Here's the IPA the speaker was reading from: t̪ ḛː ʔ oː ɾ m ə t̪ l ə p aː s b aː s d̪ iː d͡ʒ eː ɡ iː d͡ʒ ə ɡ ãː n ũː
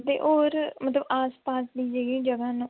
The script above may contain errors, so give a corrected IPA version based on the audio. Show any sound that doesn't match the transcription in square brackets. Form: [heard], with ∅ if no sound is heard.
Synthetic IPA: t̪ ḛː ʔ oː ɾ m ə t̪ l ə [b] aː s [p] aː s d̪ iː d͡ʒ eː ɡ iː d͡ʒ ə ɡ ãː n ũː

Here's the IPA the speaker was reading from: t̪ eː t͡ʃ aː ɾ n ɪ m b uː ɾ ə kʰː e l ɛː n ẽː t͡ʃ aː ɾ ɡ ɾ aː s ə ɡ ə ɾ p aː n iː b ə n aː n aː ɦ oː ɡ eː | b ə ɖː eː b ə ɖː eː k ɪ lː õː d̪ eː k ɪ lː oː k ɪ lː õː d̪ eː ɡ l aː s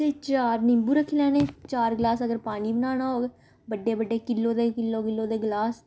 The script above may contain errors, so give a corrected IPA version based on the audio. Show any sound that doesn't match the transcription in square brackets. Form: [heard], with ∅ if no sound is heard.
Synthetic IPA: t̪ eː t͡ʃ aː ɾ n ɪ m b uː ɾ ə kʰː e l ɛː n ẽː t͡ʃ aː ɾ ɡ [l] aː s ə ɡ ə ɾ p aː n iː b ə n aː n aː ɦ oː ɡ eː | b ə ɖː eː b ə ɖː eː k ɪ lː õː d̪ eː k ɪ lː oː k ɪ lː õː d̪ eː ɡ l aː s

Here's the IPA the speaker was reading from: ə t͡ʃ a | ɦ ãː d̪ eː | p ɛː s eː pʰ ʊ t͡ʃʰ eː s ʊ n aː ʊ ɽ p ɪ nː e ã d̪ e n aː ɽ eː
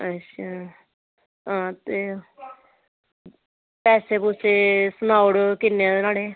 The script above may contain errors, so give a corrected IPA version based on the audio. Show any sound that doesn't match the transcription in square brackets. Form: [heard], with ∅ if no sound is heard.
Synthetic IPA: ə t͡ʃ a | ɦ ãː [t̪] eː | p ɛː s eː [p] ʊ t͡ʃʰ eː s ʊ n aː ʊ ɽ [k] ɪ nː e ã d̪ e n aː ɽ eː

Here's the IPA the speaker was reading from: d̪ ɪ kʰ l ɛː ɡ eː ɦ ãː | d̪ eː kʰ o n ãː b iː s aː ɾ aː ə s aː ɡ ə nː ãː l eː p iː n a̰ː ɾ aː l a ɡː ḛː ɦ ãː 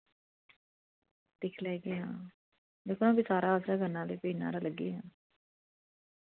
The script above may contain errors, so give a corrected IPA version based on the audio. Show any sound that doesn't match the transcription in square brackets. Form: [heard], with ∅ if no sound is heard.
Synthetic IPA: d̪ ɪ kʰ l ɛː ɡ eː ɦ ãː | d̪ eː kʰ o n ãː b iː s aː ɾ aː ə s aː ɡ ə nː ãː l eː p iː n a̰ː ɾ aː l [ə] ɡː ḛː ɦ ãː

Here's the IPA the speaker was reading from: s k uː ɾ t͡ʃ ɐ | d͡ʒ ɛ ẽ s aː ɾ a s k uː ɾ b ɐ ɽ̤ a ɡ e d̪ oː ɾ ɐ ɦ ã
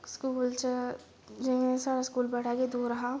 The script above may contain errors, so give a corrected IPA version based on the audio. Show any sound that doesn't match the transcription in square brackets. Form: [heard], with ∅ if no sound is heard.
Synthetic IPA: s k uː [l] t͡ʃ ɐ | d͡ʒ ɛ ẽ s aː ɾ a s k uː [l] b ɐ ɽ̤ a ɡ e d̪ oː ɾ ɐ ɦ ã

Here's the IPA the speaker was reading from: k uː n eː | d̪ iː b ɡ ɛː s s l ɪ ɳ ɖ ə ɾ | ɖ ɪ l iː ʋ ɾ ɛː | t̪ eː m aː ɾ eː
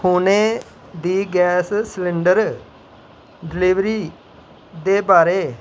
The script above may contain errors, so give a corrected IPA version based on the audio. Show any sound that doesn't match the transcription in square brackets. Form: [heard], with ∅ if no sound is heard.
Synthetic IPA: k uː n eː | d̪ iː [∅] ɡ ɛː s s l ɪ ɳ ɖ ə ɾ | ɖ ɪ l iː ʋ ɾ [iː] | [d̪] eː [b] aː ɾ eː

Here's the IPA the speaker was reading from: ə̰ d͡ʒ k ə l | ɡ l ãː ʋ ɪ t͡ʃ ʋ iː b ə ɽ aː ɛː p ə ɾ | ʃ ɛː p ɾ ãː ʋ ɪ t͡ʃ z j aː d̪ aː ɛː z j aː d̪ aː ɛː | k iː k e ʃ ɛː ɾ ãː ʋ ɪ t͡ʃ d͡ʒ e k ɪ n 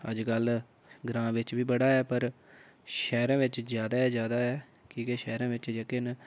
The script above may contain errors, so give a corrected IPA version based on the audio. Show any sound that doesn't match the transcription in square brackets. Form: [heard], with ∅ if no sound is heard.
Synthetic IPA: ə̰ d͡ʒ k ə l | ɡ [ɾ] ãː ʋ ɪ t͡ʃ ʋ iː b ə ɽ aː ɛː p ə ɾ | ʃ ɛː [∅] ɾ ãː ʋ ɪ t͡ʃ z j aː d̪ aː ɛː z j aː d̪ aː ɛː | k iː k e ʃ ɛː ɾ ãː ʋ ɪ t͡ʃ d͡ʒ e k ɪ n

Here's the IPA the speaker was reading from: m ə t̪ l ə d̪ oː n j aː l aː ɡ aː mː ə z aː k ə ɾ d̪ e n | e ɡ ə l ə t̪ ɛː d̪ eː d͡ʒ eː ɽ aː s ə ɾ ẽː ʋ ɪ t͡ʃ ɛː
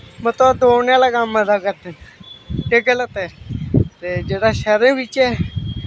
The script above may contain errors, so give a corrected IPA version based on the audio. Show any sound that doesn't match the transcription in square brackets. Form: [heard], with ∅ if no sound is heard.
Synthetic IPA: m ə t̪ l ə d̪ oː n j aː l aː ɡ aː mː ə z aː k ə ɾ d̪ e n | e ɡ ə l ə t̪ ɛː [t̪] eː d͡ʒ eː ɽ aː [ʃ] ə ɾ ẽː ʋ ɪ t͡ʃ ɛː

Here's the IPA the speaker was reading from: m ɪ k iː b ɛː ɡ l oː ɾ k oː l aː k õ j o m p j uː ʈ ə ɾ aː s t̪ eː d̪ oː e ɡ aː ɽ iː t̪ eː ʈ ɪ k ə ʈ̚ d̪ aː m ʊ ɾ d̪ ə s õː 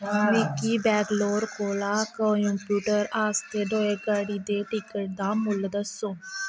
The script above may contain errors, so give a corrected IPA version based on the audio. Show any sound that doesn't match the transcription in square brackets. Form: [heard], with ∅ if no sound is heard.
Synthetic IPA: m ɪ k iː b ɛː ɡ l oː ɾ k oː l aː k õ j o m p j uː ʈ ə ɾ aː s t̪ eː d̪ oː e ɡ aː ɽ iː [d̪] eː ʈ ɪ k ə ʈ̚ d̪ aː m ʊ [l] d̪ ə s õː

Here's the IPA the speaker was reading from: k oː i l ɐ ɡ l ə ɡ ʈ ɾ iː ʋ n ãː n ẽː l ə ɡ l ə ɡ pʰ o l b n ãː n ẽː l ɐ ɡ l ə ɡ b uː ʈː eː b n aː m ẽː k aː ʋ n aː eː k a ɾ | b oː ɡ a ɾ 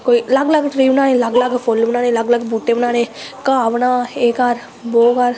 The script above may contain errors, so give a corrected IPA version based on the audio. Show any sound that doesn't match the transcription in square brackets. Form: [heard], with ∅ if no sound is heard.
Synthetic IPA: k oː i l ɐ ɡ l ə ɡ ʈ ɾ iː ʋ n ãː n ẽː l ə ɡ l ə ɡ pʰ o l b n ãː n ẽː l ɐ ɡ l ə ɡ b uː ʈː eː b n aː [n] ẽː k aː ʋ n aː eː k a ɾ | b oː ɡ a ɾ

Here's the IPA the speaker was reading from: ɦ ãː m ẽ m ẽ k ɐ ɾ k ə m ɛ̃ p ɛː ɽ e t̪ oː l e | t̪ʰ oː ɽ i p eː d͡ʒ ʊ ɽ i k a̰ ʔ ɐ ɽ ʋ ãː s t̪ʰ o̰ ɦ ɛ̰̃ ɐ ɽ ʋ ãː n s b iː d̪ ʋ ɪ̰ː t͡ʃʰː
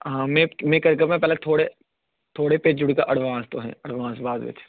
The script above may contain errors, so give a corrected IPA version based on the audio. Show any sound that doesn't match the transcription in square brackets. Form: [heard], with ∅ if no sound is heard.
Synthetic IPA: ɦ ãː m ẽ m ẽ k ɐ ɾ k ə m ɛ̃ p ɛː [l] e [t̪ʰ] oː [ɽ] e | t̪ʰ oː ɽ [e] p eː d͡ʒ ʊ ɽ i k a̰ ʔ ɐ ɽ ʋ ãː s [t̪] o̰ ɦ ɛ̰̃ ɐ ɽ ʋ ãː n s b [aː] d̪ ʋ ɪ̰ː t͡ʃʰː

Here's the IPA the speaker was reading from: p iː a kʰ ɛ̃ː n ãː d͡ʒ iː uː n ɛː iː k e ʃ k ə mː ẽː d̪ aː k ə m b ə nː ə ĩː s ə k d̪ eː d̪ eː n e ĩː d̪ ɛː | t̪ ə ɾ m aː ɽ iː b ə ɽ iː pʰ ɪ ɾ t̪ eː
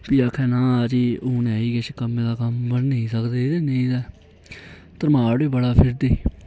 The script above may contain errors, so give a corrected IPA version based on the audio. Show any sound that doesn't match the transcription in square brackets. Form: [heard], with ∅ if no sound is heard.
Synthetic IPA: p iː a kʰ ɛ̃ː n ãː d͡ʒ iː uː n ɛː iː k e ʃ k ə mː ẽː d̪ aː k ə m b ə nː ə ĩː s ə k d̪ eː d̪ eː n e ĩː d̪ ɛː | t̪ ə ɾ m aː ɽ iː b ə ɽ [aː] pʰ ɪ ɾ [d̪] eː

